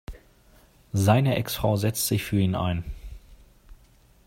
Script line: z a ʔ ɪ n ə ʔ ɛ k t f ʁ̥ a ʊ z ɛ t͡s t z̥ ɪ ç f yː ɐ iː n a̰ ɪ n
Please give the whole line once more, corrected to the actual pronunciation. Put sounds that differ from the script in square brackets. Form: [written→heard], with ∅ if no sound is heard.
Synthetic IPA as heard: z a [ʔ→∅] ɪ n ə ʔ ɛ k [t→s] f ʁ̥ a ʊ z ɛ t͡s t z̥ ɪ ç f yː ɐ iː n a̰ ɪ n